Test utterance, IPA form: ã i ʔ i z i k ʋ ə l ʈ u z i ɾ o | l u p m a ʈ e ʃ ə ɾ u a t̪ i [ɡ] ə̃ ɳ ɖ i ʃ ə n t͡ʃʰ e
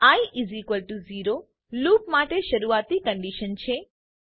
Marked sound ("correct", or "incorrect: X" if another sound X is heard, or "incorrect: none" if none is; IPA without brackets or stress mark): incorrect: k